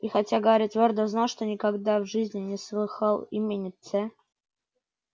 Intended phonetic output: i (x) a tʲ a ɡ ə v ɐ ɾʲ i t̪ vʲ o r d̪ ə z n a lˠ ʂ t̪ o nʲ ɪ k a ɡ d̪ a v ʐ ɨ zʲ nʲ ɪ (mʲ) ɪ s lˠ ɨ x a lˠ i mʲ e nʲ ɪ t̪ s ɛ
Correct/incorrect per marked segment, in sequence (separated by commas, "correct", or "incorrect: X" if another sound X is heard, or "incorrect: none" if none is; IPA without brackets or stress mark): correct, incorrect: nʲ